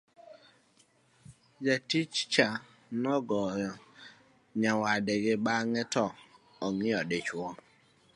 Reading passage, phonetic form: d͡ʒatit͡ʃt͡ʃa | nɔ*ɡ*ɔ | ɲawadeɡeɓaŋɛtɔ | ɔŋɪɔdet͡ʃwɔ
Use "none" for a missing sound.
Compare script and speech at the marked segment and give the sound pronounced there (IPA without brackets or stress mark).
ɡ